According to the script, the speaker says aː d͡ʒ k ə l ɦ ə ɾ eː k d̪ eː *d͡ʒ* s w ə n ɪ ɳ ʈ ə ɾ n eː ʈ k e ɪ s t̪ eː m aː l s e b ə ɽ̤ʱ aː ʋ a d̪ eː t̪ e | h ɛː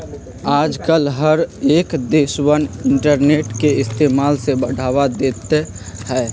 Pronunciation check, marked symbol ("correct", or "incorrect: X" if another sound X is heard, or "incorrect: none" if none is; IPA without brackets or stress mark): incorrect: none